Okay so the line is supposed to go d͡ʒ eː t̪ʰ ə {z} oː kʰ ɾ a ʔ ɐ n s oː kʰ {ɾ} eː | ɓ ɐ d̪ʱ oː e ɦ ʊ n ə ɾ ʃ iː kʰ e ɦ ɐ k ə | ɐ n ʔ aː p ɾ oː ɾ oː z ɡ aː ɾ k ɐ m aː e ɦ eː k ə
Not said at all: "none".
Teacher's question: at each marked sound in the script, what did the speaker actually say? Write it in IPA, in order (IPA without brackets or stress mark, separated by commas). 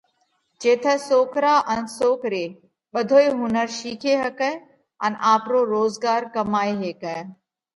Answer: s, ɾ